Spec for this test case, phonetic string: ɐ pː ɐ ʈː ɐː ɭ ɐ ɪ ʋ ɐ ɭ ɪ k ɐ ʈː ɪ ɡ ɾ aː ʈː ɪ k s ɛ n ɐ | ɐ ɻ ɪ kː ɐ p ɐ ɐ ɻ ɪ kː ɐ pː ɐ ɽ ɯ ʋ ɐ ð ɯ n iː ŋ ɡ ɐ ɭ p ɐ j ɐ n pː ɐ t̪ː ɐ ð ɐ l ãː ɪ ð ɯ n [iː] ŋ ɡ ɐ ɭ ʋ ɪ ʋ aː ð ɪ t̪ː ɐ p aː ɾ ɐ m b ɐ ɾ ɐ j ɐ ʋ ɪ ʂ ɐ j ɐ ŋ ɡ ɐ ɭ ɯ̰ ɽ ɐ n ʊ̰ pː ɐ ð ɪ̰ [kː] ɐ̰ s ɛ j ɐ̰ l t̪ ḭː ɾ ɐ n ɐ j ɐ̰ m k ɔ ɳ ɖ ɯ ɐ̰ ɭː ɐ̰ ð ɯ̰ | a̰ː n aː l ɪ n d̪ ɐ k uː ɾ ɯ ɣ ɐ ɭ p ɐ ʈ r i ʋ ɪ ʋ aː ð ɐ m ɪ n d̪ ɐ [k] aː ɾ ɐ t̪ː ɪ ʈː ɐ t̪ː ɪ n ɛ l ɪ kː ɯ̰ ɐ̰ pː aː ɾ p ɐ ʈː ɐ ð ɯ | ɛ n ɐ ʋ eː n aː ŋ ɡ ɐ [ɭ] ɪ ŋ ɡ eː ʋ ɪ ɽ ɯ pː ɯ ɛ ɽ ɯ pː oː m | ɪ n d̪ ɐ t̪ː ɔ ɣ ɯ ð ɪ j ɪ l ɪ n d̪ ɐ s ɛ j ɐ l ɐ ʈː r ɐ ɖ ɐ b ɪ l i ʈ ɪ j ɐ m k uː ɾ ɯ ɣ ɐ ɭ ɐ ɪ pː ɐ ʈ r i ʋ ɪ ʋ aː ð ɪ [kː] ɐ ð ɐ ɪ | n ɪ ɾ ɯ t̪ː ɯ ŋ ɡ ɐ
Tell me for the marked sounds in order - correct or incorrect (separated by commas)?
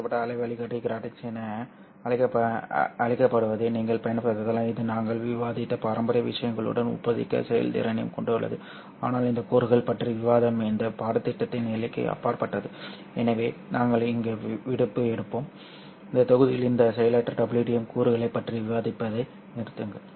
incorrect, correct, incorrect, correct, incorrect